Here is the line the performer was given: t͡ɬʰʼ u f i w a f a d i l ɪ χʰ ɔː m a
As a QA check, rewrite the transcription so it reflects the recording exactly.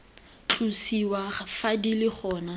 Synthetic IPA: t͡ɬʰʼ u s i w a f a d i l ɪ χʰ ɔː n a

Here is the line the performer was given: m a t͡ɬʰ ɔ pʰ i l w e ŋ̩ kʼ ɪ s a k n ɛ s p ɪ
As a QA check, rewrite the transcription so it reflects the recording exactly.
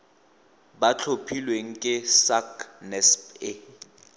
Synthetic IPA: b a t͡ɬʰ o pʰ i l w e ŋ̩ kʼ ɪ s a k n ɛ s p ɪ

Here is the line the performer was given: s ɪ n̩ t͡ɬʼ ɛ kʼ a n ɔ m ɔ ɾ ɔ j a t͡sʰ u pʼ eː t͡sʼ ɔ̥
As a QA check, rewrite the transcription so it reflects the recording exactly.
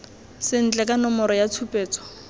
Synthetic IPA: s ɪ n̩ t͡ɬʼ ɛ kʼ a n ɔ m ɔ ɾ ɔ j a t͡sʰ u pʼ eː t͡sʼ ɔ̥

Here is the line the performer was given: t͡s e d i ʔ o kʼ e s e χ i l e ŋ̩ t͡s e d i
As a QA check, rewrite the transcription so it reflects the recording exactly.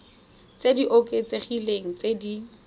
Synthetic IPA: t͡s e d i ʔ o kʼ e t͡s e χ i l e ŋ̩ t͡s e d i

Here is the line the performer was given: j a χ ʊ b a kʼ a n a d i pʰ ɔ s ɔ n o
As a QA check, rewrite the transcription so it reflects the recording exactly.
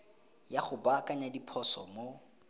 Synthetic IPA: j a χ ʊ b a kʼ a ɲ a d i pʰ ɔ s ɔ m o

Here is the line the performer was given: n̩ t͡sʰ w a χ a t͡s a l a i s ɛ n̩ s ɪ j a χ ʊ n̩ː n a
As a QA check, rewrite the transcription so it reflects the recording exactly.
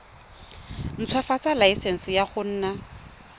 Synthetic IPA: n̩ t͡sʰ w a f a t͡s a l a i s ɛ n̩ s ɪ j a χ ʊ n̩ː n a

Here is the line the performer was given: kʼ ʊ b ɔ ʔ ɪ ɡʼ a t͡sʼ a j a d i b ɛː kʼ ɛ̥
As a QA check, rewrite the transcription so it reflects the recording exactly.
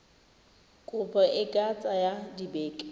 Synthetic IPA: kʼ ʊ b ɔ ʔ ɪ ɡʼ a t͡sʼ a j a d i b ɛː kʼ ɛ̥

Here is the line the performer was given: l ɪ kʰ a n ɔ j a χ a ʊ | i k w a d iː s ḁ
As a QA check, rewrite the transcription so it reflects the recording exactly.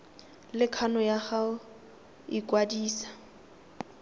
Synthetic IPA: l ɪ kʰ a n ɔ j a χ a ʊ | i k w a d iː s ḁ

